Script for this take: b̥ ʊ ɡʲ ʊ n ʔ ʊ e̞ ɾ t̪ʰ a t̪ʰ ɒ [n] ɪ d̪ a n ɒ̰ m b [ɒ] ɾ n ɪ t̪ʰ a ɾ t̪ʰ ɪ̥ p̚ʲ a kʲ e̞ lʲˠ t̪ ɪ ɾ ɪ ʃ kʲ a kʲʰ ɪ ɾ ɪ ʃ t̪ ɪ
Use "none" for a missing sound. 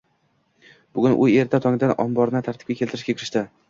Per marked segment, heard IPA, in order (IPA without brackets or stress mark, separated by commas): ŋ, ɒ